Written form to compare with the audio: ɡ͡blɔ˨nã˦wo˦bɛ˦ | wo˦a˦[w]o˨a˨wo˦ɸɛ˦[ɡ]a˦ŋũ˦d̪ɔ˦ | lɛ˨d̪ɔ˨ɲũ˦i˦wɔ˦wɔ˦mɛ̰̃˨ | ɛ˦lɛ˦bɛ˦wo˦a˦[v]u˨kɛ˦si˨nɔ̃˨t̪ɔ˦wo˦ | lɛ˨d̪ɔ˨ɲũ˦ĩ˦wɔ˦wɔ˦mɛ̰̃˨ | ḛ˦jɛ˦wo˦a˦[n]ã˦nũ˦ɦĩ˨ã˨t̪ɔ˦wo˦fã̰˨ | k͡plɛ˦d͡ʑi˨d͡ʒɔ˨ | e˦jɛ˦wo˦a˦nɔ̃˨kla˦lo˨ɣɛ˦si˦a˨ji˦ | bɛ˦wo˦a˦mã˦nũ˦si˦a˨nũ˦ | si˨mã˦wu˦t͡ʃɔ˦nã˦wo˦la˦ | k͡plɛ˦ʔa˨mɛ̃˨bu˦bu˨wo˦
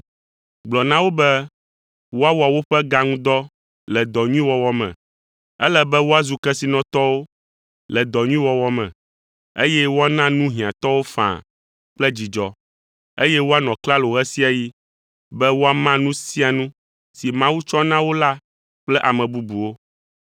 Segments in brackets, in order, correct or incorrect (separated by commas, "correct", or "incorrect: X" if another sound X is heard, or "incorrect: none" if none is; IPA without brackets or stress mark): correct, correct, incorrect: z, correct